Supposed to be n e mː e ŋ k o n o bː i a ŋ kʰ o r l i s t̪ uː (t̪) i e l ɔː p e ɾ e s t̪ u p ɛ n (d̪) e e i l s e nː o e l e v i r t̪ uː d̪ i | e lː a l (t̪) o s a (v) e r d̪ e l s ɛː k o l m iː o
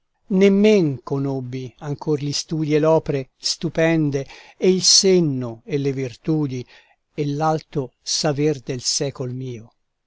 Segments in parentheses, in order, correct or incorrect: incorrect: d̪, correct, correct, correct

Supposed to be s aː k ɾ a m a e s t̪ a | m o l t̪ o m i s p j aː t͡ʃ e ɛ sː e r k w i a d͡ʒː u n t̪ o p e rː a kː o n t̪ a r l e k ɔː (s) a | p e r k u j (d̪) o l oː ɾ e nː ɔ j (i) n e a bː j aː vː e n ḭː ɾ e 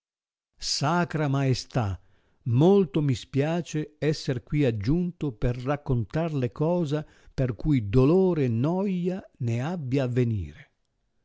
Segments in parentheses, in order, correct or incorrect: incorrect: z, correct, incorrect: a

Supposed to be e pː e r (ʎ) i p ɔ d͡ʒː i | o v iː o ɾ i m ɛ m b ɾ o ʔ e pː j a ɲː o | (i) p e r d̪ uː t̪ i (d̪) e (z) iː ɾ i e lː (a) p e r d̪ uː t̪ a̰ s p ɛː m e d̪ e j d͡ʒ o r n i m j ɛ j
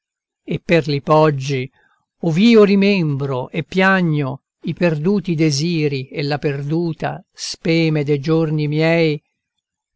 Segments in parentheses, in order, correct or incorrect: incorrect: l, correct, correct, correct, correct

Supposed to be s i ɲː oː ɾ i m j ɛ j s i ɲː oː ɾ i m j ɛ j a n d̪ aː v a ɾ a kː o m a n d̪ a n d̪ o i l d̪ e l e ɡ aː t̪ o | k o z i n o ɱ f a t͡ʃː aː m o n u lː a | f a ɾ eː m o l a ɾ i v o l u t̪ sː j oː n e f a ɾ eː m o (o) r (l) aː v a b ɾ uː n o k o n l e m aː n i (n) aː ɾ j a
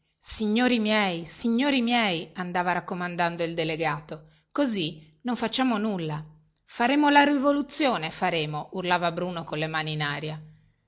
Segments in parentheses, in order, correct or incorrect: incorrect: u, correct, correct

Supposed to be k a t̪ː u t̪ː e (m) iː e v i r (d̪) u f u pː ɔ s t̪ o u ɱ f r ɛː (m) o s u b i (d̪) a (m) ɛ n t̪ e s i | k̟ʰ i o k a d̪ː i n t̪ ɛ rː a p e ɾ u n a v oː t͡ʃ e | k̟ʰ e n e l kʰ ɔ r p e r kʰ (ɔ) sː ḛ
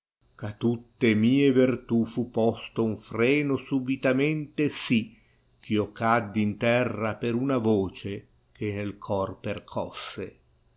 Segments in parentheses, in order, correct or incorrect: correct, incorrect: t̪, incorrect: n, incorrect: t̪, correct, correct

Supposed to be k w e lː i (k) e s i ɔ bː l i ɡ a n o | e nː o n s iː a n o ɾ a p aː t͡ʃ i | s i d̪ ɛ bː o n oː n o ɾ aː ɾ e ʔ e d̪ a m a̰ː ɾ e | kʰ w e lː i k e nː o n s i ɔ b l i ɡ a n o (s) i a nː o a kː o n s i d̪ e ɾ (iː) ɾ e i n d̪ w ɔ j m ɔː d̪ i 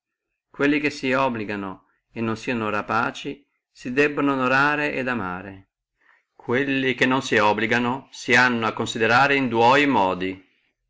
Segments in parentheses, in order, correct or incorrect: correct, correct, incorrect: aː

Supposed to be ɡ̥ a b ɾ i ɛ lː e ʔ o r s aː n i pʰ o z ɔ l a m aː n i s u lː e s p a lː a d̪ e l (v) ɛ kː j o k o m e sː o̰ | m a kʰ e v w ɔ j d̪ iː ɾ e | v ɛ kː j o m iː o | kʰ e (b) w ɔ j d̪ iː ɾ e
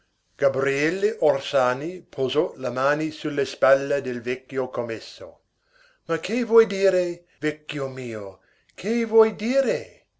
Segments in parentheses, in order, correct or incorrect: correct, incorrect: v

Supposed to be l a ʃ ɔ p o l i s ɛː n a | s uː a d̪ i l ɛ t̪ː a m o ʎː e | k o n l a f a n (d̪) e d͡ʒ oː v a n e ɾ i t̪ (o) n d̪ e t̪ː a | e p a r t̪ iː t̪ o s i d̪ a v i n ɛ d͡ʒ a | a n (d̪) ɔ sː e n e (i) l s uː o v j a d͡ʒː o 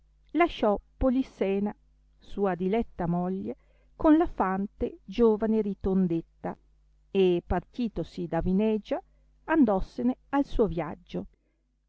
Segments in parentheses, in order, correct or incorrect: incorrect: t̪, correct, correct, incorrect: a

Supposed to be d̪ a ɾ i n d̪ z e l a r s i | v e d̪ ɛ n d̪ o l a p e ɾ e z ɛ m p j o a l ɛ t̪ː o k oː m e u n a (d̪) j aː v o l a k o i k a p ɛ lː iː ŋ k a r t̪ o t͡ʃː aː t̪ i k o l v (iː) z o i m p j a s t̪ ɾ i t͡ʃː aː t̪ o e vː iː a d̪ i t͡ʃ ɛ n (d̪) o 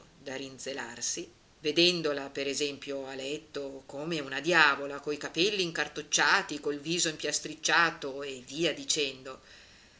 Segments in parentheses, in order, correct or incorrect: correct, correct, correct

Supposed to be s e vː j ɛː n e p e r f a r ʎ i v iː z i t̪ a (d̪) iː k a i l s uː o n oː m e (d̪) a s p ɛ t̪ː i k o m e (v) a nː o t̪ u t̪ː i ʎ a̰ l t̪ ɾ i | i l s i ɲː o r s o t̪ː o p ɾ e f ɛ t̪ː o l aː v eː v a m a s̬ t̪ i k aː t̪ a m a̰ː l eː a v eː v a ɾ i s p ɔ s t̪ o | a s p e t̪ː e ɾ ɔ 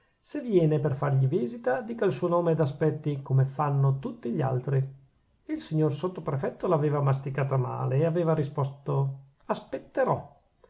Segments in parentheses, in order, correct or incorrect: correct, correct, incorrect: f

